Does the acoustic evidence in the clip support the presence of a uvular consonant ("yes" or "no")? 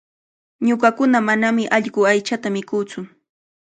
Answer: yes